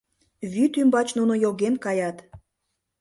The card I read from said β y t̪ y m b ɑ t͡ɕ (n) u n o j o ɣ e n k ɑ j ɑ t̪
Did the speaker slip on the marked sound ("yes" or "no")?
no